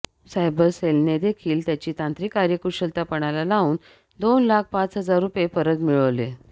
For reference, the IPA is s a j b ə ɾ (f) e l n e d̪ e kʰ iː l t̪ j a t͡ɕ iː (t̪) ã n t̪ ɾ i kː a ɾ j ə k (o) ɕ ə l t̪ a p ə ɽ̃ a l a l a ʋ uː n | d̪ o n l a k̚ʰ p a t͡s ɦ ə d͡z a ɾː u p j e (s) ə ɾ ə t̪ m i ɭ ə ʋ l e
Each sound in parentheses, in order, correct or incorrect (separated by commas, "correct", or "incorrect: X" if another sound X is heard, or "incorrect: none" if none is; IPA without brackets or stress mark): incorrect: s, correct, incorrect: u, incorrect: f